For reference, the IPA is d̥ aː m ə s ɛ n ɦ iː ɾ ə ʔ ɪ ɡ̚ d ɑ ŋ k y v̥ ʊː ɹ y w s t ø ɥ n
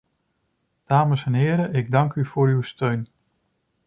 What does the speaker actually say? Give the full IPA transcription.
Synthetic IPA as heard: d̥ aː m ə s ɛ n ɦ ɪː ɾ ə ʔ ɪ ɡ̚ d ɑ ŋ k y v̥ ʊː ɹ y w s t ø ɥ n